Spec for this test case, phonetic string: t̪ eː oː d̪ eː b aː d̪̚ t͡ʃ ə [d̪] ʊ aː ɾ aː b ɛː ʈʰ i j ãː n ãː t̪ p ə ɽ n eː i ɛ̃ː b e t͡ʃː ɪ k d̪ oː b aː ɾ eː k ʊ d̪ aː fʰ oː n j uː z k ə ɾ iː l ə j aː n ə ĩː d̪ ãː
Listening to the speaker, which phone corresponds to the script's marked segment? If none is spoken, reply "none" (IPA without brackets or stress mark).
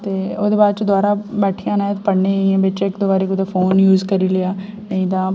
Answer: d̪